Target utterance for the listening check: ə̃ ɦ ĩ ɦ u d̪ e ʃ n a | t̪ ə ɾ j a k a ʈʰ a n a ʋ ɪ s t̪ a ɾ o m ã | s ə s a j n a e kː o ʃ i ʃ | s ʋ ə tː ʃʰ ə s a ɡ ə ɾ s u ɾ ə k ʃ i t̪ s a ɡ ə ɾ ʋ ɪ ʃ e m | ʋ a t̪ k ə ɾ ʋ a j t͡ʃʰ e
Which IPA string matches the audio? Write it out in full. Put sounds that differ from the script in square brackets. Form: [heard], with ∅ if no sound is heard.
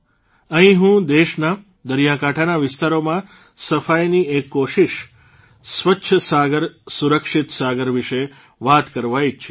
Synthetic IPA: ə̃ ɦ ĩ ɦ [ũ] d̪ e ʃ n a | [d̪] ə ɾ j a k a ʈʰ a n a ʋ ɪ s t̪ a ɾ o m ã | s ə [f] a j n [i] e kː o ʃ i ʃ | s ʋ ə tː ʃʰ ə s a ɡ ə ɾ s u ɾ ə k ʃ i t̪ s a ɡ ə ɾ ʋ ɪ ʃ e [∅] | ʋ a t̪ k ə ɾ ʋ a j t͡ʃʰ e